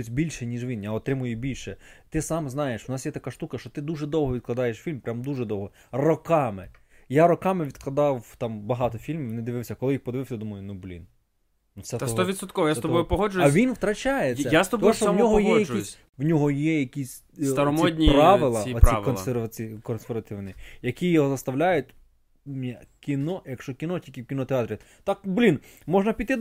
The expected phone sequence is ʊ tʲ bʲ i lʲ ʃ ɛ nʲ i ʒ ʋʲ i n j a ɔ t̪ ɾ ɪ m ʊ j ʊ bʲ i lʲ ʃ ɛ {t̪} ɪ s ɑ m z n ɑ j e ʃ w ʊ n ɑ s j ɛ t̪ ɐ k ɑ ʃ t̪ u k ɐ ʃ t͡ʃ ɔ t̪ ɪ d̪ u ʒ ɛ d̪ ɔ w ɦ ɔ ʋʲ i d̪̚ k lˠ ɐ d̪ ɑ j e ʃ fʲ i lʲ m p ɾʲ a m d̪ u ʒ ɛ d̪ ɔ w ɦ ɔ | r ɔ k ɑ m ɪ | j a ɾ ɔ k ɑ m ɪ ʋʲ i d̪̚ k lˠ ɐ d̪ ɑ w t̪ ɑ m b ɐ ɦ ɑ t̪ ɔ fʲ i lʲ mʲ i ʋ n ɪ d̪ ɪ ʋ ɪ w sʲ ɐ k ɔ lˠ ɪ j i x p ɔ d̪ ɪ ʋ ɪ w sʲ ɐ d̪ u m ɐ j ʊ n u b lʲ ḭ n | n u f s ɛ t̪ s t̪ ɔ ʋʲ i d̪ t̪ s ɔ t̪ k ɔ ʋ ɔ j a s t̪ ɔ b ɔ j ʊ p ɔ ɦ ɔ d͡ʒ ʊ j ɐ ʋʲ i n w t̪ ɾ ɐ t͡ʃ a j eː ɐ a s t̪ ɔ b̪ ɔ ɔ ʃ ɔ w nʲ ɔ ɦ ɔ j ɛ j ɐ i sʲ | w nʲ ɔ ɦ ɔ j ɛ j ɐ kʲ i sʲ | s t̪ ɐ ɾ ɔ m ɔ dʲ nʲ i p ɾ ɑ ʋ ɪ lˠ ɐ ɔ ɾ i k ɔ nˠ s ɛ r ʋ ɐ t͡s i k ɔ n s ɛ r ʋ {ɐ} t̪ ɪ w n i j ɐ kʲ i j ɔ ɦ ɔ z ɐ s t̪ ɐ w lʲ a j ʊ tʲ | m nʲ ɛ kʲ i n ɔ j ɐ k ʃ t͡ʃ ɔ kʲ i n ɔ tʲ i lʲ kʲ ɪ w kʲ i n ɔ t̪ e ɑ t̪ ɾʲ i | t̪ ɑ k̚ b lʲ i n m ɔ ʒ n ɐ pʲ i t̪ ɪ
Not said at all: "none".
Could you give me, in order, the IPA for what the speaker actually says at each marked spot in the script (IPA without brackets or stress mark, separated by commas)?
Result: t̪, ɐ